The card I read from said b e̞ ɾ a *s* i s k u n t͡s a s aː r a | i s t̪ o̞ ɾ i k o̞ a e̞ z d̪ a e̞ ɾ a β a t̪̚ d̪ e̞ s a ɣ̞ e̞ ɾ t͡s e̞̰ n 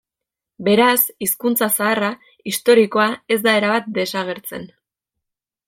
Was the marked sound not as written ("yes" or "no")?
no